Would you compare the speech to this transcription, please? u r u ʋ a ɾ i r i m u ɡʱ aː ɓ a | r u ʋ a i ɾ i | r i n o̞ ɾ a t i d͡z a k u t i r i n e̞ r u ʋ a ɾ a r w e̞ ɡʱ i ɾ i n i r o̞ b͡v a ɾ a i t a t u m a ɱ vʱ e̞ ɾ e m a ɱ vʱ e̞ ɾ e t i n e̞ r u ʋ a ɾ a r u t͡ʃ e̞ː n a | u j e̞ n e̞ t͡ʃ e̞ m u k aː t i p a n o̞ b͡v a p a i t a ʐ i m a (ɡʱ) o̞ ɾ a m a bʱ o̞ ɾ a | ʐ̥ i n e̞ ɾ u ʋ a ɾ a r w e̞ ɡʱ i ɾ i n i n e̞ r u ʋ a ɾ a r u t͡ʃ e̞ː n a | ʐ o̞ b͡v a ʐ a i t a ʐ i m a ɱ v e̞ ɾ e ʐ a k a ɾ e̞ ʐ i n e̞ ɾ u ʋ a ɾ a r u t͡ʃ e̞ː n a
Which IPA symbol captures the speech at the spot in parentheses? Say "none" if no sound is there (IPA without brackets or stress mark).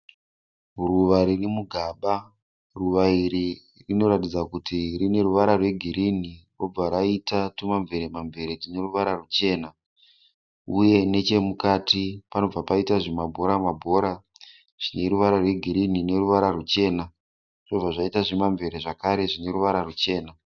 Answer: bʱ